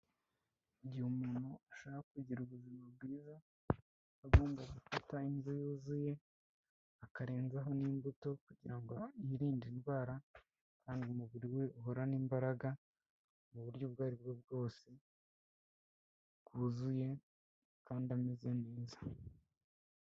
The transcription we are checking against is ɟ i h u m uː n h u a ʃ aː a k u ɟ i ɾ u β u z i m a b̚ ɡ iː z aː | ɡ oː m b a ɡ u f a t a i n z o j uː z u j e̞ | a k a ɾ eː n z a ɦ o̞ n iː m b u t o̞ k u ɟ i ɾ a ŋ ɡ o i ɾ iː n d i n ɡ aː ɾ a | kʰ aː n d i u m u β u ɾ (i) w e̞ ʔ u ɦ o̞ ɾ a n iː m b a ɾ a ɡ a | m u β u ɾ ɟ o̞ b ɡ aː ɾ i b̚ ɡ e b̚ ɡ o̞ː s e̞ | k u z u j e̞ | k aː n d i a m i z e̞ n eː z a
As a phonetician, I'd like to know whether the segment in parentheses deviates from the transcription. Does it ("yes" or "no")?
no